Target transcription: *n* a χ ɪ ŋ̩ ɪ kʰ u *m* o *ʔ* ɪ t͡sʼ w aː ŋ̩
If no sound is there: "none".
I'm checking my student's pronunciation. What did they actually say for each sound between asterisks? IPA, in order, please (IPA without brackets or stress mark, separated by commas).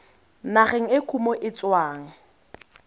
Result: n, m, ʔ